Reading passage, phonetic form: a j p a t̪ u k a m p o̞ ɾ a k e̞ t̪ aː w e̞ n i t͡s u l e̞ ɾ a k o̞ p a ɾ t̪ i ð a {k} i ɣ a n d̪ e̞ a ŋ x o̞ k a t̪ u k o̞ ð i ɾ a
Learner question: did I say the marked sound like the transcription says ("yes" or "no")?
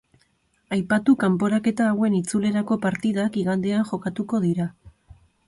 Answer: yes